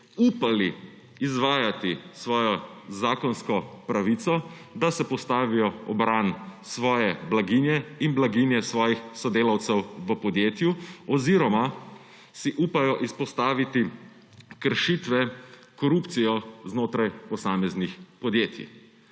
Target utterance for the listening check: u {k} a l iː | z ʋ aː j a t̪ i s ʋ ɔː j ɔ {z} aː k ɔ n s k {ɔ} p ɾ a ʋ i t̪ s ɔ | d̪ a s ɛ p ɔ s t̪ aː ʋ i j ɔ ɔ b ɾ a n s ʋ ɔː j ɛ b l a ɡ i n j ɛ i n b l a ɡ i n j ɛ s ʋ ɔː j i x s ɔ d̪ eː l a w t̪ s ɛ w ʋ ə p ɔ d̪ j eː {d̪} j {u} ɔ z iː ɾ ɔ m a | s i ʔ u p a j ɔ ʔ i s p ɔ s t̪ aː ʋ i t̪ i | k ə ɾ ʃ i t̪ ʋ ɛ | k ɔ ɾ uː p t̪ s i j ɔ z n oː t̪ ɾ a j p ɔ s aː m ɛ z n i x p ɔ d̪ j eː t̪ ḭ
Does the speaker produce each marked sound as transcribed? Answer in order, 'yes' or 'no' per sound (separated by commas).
no, yes, yes, no, yes